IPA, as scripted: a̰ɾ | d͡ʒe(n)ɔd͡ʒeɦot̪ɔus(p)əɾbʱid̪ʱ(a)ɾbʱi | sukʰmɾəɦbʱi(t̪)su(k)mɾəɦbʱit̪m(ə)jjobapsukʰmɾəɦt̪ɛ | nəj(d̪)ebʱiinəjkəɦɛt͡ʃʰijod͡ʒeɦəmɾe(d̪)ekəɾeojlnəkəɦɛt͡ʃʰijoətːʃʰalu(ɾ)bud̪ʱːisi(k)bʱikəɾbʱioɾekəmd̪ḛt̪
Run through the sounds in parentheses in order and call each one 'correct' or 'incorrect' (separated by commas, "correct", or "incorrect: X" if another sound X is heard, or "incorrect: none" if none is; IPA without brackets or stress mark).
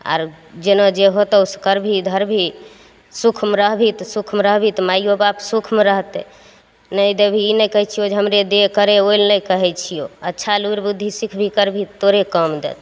correct, incorrect: k, incorrect: ə, correct, incorrect: kʰ, incorrect: a, correct, correct, correct, incorrect: kʰ